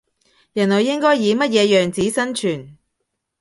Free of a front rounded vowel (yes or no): no